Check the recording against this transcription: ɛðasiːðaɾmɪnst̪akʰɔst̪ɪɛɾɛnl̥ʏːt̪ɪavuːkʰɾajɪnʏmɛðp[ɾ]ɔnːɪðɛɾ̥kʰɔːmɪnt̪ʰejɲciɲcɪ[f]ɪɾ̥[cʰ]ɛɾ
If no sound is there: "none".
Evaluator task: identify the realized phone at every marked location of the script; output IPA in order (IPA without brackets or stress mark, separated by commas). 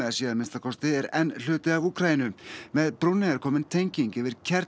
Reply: ɾ, v, cʰ